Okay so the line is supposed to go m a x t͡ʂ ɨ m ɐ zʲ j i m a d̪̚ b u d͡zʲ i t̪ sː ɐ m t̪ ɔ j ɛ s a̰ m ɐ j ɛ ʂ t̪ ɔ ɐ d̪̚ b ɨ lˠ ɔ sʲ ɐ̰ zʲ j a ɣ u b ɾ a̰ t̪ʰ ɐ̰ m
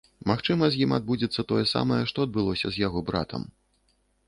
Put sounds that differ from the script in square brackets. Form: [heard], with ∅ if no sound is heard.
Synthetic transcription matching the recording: m a x t͡ʂ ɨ m ɐ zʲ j i m a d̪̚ b u d͡zʲ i t̪ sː ɐ [∅] t̪ ɔ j ɛ s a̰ m ɐ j ɛ ʂ t̪ ɔ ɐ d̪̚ b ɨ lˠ ɔ sʲ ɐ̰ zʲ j a ɣ [ɔ] b ɾ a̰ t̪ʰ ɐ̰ m